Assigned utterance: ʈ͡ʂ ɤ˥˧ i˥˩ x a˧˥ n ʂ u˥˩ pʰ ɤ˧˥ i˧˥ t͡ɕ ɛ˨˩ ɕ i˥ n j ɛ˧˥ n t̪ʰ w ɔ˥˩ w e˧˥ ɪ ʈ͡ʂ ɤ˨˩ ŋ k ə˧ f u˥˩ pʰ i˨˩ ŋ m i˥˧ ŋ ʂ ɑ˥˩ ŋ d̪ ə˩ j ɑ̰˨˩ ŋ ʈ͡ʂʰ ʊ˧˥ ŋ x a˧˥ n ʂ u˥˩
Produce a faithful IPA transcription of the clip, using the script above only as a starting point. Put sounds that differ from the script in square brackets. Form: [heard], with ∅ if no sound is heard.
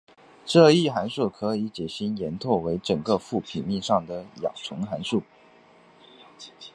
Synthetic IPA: ʈ͡ʂ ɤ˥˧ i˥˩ x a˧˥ n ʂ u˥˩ [kʰ] ɤ˧˥ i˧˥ t͡ɕ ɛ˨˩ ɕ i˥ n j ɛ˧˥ n t̪ʰ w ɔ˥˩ w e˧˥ ɪ ʈ͡ʂ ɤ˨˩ ŋ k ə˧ f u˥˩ pʰ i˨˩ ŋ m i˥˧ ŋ ʂ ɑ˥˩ ŋ d̪ ə˩ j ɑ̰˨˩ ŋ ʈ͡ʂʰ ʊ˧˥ ŋ x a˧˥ n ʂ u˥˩